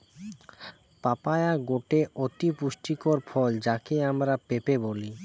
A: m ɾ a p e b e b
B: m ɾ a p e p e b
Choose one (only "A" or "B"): B